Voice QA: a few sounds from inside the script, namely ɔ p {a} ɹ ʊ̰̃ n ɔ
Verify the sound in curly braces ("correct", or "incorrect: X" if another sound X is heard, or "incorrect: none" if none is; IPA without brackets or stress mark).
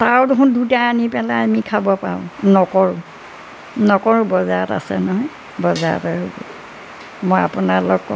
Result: correct